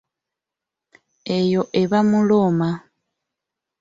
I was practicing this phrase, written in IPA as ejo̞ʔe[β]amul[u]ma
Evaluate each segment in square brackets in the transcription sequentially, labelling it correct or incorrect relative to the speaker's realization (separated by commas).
correct, incorrect